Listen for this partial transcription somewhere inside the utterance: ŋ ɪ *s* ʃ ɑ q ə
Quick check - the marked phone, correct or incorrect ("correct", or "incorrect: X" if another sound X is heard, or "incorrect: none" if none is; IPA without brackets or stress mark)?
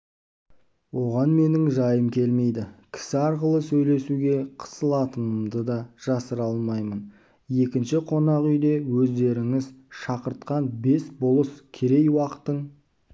incorrect: z